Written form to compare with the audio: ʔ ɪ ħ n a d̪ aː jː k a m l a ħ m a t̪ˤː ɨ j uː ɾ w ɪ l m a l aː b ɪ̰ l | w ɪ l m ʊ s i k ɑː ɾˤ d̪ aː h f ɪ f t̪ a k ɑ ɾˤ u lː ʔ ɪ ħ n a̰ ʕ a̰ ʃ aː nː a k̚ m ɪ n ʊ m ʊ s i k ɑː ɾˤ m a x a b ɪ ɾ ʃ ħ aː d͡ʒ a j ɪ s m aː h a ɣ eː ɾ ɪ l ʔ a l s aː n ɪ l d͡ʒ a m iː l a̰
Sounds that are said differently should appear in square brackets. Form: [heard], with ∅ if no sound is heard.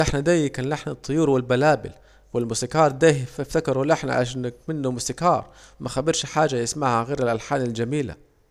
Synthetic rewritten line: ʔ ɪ ħ n a d̪ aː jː k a [n] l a ħ [n] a t̪ˤː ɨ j uː ɾ w ɪ l [b] a l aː b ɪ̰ l | w ɪ l m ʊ s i k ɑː ɾˤ d̪ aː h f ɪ f t̪ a k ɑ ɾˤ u [l] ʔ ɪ ħ n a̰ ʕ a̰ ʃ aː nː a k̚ m ɪ [nː] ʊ m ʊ s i k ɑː ɾˤ m a x a b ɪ ɾ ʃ ħ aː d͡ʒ a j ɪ s m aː h a ɣ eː ɾ ɪ l ʔ a l [ħ] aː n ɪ l d͡ʒ a m iː l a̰